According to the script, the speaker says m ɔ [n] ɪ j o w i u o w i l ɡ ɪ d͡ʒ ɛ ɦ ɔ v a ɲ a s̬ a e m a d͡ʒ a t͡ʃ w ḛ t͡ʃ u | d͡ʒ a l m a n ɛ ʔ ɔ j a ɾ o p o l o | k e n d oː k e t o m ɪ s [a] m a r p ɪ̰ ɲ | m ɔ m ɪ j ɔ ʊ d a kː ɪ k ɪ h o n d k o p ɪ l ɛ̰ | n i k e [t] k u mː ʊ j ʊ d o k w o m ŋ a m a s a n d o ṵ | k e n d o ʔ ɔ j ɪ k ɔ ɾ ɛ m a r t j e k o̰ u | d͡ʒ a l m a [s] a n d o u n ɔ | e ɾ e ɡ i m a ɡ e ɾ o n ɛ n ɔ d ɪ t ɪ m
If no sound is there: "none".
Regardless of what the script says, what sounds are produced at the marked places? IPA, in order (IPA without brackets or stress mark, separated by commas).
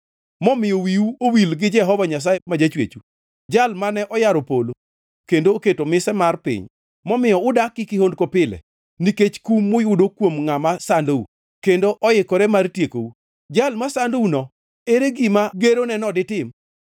m, ɛ, t͡ʃ, s